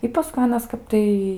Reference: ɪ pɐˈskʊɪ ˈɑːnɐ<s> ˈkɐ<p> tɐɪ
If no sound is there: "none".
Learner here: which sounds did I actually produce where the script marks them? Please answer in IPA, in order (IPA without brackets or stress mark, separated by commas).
s, p